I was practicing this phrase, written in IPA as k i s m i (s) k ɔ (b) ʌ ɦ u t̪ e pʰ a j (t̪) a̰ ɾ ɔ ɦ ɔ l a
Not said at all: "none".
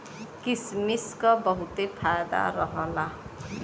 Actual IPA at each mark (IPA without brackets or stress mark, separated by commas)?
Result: s, b, d̪